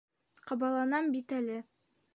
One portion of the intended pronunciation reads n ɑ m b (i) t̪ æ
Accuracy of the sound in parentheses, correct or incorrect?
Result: correct